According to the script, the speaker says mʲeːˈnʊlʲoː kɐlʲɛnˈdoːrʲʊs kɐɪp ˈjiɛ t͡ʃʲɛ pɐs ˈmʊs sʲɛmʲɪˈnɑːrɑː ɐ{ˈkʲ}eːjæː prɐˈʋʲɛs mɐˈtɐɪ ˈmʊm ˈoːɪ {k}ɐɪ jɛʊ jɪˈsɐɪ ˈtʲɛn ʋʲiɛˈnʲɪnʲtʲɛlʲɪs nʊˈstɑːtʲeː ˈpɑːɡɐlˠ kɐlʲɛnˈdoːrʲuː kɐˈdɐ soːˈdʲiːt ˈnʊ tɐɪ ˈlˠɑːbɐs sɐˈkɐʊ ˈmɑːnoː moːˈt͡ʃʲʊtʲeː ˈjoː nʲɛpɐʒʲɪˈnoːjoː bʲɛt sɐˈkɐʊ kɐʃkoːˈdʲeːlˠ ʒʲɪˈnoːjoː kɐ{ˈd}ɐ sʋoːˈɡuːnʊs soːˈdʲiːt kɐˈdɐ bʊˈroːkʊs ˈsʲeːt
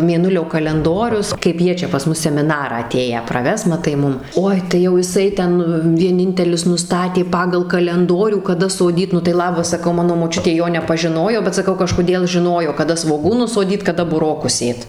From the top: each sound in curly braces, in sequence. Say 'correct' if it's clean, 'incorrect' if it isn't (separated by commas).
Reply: incorrect, incorrect, correct